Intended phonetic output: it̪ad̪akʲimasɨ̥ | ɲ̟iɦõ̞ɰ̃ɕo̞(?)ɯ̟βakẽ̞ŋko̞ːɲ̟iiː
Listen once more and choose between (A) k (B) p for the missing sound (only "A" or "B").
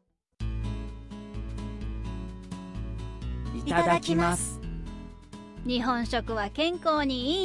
A